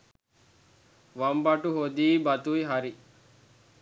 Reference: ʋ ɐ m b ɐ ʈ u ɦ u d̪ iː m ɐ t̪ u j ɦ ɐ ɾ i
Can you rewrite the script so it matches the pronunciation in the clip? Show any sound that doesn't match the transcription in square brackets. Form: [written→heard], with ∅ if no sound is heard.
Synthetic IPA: ʋ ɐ m b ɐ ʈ u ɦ [u→o] d̪ iː [m→b] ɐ t̪ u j ɦ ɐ ɾ i